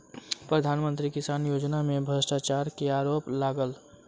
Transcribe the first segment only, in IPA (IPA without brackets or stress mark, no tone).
p